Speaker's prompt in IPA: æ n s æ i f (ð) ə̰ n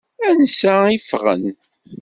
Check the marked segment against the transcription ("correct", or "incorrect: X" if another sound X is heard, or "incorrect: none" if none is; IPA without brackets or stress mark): incorrect: ʁ